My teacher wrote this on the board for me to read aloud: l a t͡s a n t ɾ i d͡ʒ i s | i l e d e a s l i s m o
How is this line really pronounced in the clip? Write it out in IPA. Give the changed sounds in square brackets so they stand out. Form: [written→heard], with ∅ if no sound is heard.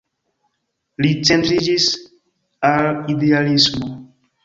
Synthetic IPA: l [a→i] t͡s [a→e] n t ɾ i d͡ʒ i s | [i→a] l [e→i] d e a [s→∅] l i s m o